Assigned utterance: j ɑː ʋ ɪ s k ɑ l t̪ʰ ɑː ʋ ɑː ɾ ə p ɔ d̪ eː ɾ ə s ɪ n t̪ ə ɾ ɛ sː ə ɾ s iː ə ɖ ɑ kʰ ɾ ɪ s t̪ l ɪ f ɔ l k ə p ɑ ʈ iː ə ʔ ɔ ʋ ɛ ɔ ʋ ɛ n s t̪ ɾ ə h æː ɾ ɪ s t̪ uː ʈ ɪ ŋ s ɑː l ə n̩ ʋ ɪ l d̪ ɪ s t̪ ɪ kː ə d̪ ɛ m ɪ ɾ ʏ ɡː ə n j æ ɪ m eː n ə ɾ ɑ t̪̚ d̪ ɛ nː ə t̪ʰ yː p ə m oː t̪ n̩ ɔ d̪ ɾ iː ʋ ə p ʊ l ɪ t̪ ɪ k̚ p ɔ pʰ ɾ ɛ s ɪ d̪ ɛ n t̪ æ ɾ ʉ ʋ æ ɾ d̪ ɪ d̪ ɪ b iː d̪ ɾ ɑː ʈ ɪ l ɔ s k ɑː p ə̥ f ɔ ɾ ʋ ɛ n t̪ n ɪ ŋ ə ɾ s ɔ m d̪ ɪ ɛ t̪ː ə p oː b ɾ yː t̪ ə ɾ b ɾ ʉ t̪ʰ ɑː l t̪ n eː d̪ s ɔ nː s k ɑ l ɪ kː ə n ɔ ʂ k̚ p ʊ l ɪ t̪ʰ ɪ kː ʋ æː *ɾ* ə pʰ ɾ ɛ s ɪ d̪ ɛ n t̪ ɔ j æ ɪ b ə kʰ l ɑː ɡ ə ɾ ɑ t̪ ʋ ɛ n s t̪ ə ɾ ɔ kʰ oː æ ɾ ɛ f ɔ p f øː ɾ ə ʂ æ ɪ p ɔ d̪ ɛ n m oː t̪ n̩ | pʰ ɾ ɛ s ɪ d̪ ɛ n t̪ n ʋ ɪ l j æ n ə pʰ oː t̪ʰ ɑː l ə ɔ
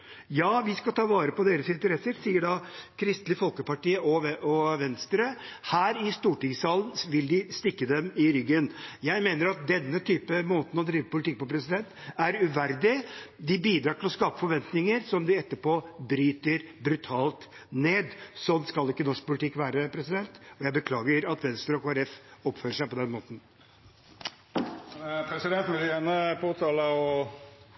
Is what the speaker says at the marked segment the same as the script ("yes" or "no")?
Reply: yes